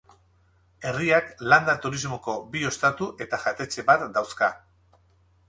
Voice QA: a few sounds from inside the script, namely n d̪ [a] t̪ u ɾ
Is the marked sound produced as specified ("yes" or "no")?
yes